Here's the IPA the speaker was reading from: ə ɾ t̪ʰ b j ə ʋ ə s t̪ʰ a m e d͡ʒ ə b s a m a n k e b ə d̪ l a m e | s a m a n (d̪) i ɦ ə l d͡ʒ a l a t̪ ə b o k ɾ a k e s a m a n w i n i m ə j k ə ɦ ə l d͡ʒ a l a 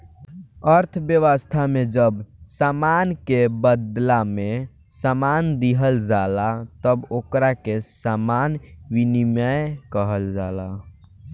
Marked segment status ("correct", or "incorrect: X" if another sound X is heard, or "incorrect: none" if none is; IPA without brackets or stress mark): correct